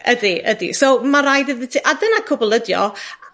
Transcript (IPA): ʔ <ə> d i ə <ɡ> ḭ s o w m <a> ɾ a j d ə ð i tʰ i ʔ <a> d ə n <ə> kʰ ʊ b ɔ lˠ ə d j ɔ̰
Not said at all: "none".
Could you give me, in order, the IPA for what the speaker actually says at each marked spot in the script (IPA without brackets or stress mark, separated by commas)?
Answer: ə, d, a, a, a